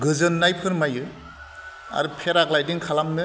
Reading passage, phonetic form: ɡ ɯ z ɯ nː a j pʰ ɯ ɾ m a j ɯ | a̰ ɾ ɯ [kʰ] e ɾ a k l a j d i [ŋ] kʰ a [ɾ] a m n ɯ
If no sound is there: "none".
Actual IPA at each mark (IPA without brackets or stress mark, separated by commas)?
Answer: pʰ, ŋ, l